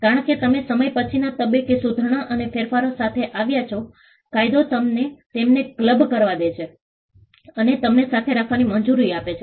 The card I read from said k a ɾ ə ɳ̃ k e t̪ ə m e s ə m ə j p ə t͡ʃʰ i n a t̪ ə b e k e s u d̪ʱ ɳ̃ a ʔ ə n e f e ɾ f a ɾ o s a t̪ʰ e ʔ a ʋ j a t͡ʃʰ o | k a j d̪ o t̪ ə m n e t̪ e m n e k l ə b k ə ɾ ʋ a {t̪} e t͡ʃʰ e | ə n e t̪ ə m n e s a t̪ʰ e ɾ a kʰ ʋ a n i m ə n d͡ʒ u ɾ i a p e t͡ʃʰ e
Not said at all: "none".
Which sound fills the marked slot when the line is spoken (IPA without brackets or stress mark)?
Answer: d̪